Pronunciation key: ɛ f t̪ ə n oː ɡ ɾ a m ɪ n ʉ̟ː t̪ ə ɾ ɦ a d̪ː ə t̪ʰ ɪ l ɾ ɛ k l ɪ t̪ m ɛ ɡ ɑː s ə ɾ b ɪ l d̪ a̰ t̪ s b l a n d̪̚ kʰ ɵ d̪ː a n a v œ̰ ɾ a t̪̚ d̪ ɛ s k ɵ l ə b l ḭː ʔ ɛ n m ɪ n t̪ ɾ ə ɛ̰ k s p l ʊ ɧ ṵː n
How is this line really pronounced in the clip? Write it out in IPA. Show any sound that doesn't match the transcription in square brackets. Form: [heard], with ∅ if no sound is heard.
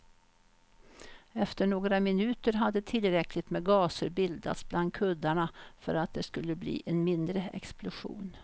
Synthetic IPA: ɛ f t̪ ə [ɳ] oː ɡ ɾ a m ɪ n ʉ̟ː t̪ ə ɾ ɦ a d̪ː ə t̪ʰ ɪ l ɾ ɛ k l ɪ t̪ m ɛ ɡ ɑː s ə ɾ b ɪ l d̪ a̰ t̪ s b l a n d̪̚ kʰ ɵ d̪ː a [ɳ] a [f] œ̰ ɾ a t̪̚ d̪ ɛ s k ɵ [lː] ə b l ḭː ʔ ɛ n m ɪ n [d̪] ɾ ə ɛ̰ k s p l ʊ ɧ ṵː n